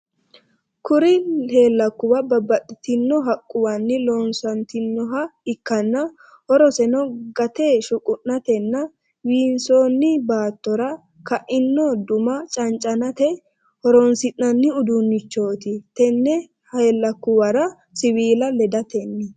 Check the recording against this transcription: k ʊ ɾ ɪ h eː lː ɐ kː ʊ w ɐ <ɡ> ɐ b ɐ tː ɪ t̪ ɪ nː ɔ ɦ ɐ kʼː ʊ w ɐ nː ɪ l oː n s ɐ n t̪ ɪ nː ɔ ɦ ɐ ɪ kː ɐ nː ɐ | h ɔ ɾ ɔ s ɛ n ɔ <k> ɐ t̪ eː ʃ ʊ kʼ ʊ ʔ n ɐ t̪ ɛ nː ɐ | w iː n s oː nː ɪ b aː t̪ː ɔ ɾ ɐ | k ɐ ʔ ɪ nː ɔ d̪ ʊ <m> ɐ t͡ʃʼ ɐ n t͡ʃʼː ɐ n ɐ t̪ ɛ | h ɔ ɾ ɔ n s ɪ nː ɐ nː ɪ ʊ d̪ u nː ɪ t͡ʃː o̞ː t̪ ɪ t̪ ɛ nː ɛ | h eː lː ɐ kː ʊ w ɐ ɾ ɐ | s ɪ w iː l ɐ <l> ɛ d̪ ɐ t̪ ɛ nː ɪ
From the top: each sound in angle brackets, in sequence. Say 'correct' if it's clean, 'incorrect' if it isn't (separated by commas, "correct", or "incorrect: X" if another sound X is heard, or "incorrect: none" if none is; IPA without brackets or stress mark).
incorrect: b, incorrect: ɡ, correct, correct